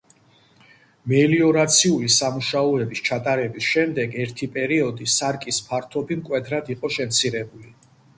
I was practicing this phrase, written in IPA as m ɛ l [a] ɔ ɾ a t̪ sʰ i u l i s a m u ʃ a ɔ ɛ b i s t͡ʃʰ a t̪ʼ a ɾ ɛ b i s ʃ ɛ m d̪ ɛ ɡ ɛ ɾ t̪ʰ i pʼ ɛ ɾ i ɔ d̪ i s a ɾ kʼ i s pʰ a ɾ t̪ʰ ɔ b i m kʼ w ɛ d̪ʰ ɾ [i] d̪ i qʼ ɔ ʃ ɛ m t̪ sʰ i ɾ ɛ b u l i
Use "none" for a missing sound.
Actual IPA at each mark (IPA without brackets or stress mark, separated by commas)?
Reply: i, a